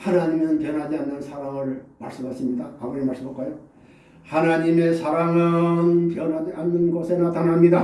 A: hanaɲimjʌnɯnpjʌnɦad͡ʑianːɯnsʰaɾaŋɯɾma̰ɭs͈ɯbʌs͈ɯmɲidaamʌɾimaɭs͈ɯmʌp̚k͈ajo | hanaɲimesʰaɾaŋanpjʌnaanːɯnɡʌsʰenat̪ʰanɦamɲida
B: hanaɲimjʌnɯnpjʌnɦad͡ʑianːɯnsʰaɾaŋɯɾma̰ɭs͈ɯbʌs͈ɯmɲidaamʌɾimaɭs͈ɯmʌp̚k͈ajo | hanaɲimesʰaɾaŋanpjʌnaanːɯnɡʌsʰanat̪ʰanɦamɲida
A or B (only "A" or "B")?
A